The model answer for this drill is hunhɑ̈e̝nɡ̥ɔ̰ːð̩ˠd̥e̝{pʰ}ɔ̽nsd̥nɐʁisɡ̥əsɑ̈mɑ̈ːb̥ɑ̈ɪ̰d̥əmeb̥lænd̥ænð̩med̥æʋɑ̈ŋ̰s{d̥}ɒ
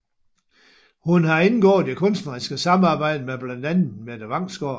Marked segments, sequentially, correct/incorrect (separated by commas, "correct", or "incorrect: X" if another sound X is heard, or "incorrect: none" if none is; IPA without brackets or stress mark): incorrect: kʰ, incorrect: ɡ̥